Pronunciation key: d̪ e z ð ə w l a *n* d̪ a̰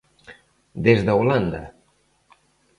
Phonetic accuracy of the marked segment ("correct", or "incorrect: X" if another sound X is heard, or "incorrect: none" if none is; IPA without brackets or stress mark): correct